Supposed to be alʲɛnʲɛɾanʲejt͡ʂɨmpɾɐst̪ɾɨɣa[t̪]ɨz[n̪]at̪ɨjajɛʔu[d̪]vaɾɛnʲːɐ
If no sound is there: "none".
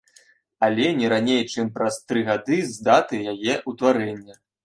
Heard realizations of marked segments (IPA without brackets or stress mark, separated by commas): d̪, d̪, t̪